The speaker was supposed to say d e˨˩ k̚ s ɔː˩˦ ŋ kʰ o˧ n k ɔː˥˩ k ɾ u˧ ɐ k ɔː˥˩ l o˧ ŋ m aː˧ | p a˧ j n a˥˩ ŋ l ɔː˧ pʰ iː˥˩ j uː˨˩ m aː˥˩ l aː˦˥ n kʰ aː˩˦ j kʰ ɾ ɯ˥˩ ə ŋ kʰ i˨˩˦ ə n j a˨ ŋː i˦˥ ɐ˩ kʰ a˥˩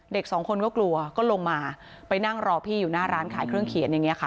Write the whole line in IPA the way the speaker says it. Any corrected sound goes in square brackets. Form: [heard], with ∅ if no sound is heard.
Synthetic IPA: d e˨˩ k̚ s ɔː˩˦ ŋ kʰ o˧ n k ɔː˥˩ k [l] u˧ ɐ k ɔː˥˩ l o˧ ŋ m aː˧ | p a˧ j n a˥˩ ŋ [ɾ] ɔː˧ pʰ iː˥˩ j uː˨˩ [n] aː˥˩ [ɾ] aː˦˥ n kʰ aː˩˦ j kʰ ɾ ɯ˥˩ ə ŋ kʰ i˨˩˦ ə n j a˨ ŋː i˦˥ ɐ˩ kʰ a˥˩